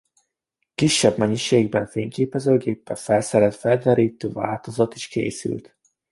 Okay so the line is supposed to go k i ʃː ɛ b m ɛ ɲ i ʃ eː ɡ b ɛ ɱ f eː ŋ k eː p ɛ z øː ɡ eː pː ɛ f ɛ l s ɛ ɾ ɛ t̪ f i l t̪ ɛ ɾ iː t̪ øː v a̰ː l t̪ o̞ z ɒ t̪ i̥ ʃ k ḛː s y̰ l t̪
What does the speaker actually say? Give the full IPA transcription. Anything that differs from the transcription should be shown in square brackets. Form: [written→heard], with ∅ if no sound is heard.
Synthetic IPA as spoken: k i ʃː ɛ b m ɛ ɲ i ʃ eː ɡ b ɛ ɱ f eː ŋ k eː p ɛ z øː ɡ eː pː ɛ f ɛ l s ɛ ɾ ɛ t̪ f [i→ɛ] l [t̪→d̪] ɛ ɾ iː t̪ øː v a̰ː l t̪ o̞ z ɒ t̪ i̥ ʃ k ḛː s y̰ l t̪